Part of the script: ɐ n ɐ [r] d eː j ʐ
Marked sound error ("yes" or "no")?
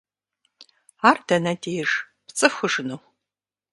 yes